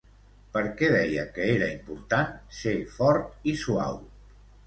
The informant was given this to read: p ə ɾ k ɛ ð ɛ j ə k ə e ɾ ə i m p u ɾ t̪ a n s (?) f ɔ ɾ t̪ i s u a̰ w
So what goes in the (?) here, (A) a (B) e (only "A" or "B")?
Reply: B